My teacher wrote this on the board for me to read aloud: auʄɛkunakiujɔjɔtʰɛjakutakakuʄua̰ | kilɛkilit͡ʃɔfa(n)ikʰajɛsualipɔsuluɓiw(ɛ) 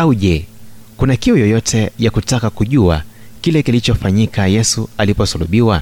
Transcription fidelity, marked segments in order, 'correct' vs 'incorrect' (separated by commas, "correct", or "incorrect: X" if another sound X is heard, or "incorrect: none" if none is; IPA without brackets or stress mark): incorrect: ɲ, incorrect: a